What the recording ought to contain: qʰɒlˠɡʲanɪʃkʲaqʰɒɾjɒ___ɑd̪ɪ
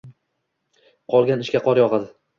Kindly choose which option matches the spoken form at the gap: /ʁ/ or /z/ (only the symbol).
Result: ʁ